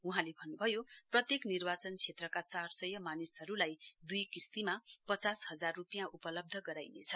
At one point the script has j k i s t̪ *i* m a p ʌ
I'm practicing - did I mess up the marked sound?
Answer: no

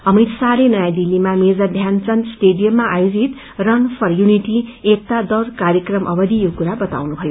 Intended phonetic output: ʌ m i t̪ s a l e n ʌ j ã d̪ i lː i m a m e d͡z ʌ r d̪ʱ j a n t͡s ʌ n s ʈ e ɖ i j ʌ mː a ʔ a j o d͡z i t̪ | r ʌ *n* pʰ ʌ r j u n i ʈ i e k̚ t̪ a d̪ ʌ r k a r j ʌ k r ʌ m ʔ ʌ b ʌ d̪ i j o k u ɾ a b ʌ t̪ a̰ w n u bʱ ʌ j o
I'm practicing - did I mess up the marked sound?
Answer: no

